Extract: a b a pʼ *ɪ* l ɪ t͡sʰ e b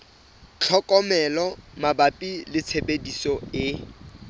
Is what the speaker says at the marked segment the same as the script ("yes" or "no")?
no